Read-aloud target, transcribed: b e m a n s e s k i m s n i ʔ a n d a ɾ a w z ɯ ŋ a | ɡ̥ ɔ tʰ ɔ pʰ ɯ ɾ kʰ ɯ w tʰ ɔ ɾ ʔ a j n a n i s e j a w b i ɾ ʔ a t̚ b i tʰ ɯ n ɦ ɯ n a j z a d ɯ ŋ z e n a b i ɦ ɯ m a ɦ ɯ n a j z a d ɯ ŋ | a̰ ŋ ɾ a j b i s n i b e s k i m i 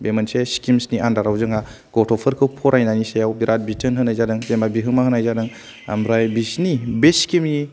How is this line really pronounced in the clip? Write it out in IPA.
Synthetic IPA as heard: b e m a n s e s k i m s n i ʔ a n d a ɾ a w z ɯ ŋ a | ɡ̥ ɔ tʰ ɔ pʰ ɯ ɾ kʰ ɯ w pʰ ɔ ɾ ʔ a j n a n i s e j a w b i ɾ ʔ a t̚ b i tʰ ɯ n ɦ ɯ n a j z a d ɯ ŋ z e m a b i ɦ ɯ m a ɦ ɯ n a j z a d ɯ ŋ | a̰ m ɾ a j b i s n i b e s k i m i